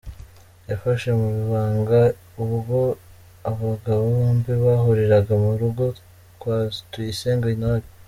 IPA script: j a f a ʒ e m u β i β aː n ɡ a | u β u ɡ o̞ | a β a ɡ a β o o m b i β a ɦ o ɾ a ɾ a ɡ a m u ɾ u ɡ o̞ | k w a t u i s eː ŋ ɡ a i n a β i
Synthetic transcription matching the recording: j a f a ʃ e m u β i β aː ŋ ɡ a | u β u ɡ o̞ | a β a ɡ a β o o m b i β a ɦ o ɾ e ɾ a ɡ a m u ɾ u ɡ o̞ | k w a t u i s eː ŋ ɡ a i n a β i